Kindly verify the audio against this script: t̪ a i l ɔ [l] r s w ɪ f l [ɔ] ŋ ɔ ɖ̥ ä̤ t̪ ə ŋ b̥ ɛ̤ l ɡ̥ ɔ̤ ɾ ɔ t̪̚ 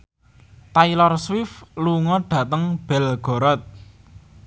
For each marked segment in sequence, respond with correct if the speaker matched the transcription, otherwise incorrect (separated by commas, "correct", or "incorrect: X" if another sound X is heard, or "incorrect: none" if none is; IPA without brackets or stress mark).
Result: incorrect: none, incorrect: u